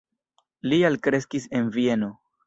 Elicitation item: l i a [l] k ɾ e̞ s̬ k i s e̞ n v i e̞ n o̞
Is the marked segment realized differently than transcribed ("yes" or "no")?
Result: no